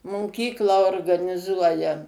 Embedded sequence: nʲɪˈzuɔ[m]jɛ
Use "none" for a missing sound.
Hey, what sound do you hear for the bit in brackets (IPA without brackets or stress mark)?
none